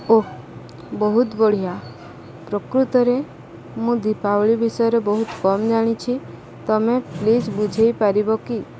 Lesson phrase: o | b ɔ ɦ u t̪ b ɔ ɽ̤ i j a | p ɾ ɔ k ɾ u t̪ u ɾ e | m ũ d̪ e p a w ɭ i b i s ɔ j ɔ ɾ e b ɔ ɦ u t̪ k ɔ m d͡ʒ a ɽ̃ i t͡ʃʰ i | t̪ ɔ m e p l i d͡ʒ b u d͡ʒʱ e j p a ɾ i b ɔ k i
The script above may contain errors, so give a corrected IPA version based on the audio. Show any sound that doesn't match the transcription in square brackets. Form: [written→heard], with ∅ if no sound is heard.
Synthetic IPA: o | b ɔ ɦ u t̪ b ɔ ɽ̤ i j a | p ɾ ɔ k ɾ u t̪ [u→ɔ] ɾ e | m ũ d̪ [e→i] p a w ɭ i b i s ɔ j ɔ ɾ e b ɔ ɦ u t̪ k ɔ m d͡ʒ a ɽ̃ i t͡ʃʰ i | t̪ ɔ m e p l i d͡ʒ b u d͡ʒʱ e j p a ɾ i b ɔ k i